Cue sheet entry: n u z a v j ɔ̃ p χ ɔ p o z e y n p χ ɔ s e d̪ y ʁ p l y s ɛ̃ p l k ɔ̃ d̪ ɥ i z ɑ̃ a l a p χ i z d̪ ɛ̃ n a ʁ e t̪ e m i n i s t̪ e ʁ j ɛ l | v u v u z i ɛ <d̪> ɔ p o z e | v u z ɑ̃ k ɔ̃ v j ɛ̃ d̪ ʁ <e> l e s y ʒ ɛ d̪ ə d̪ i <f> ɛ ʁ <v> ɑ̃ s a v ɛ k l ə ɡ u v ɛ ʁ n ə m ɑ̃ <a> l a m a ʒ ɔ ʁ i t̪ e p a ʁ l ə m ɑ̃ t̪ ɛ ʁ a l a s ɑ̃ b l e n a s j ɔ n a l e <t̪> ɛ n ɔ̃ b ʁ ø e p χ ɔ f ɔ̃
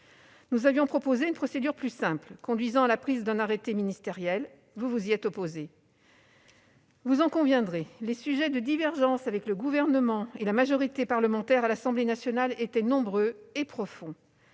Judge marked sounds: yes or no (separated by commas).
no, yes, no, no, no, yes